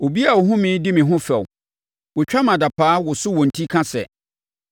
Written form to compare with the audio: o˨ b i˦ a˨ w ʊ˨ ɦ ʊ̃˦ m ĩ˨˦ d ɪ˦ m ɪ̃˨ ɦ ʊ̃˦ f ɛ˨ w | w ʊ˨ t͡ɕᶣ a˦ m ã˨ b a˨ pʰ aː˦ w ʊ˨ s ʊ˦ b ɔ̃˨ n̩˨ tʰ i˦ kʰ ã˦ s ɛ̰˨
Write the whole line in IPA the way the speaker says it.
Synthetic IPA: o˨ b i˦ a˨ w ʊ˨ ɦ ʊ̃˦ m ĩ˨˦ d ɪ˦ m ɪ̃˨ ɦ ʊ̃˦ f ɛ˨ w | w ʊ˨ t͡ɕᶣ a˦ m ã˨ d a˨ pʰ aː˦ w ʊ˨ s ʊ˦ w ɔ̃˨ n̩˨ tʰ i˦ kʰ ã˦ s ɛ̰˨